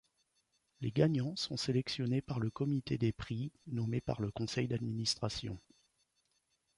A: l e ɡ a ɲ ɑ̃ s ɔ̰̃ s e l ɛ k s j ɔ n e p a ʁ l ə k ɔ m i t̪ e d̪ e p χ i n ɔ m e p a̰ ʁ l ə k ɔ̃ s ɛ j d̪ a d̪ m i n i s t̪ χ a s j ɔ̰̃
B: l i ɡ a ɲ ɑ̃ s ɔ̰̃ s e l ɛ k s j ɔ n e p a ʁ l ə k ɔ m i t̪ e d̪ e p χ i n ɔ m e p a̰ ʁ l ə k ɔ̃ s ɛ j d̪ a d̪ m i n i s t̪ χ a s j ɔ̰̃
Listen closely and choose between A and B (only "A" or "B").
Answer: A